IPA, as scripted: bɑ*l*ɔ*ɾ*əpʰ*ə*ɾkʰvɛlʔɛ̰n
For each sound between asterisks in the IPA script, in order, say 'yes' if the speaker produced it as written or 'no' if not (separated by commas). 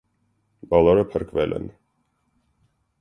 yes, yes, yes